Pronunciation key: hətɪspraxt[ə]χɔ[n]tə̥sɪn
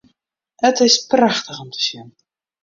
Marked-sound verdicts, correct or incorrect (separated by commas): correct, incorrect